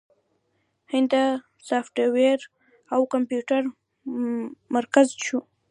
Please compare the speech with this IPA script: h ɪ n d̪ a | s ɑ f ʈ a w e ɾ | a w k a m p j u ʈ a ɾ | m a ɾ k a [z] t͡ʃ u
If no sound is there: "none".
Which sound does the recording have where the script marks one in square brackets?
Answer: z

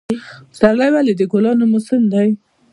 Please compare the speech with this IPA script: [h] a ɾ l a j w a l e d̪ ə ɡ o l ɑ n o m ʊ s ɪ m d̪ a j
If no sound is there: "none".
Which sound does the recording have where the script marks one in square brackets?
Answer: s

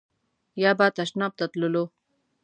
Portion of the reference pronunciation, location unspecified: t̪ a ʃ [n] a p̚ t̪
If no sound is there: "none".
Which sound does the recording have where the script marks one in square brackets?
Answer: n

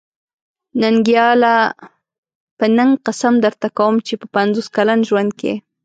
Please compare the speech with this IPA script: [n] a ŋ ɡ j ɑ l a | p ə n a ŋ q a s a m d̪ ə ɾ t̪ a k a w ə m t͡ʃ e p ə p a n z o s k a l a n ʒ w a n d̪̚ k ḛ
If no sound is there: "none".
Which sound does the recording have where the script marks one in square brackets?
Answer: n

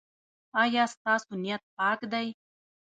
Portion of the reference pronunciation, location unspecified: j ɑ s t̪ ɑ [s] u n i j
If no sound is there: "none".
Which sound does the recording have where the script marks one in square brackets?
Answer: s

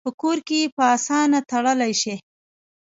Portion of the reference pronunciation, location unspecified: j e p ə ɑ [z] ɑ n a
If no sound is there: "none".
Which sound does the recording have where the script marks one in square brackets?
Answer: s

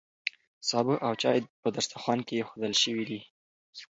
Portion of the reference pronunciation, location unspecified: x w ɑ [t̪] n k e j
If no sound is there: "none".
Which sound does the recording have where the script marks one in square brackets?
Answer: none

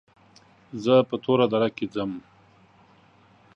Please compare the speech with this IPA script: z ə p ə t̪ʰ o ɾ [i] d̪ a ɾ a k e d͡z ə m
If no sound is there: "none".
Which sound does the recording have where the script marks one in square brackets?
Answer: a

